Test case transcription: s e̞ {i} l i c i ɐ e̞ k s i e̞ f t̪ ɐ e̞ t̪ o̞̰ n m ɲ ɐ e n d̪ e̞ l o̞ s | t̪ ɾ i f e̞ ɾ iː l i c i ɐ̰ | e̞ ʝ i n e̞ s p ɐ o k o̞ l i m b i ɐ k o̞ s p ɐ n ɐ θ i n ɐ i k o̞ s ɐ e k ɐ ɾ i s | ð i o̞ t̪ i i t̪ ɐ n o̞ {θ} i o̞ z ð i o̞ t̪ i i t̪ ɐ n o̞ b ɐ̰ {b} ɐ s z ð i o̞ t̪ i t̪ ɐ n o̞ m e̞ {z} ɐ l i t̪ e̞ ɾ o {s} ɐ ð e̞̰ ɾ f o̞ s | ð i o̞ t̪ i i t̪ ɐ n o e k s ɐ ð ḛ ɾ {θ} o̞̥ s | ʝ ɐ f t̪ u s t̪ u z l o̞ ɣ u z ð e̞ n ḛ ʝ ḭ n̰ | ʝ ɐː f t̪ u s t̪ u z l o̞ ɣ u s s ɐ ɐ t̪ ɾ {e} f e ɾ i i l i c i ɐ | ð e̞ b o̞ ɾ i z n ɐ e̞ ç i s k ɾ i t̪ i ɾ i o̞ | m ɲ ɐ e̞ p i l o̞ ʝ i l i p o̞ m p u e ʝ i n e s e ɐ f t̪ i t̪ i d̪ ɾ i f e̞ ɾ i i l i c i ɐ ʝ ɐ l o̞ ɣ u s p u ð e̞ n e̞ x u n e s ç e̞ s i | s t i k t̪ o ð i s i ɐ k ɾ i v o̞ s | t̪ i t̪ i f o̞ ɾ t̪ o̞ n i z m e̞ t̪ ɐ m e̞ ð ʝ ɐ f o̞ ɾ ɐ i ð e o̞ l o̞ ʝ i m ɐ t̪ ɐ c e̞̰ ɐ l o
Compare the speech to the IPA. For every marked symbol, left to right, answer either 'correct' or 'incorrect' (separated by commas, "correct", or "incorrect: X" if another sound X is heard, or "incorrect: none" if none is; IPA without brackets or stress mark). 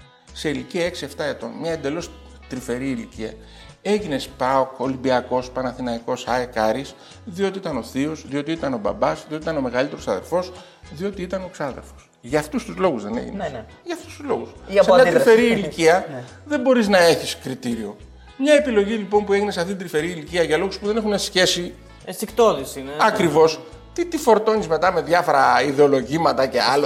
correct, correct, correct, incorrect: ɣ, correct, incorrect: f, incorrect: i